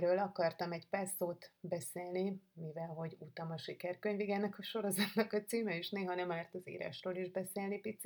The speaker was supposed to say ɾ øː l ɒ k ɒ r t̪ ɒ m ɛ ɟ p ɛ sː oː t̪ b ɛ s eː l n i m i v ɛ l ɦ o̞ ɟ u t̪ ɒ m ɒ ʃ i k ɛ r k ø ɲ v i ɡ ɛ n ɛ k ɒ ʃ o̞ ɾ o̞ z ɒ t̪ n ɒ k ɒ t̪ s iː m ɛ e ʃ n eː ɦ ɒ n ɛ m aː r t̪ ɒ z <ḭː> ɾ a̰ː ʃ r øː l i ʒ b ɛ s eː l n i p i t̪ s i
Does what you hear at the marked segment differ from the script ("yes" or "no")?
no